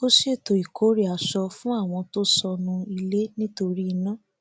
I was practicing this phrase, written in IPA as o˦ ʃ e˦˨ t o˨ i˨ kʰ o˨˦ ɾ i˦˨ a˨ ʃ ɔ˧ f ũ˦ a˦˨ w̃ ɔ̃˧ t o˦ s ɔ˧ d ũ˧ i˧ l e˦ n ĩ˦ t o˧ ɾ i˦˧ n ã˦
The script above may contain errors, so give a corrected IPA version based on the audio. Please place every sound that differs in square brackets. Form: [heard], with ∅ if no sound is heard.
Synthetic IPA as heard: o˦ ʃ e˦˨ t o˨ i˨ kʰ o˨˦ ɾ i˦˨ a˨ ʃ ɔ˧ f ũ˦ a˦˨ w̃ ɔ̃˧ t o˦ s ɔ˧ [n] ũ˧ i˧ l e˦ n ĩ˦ t o˧ ɾ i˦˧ n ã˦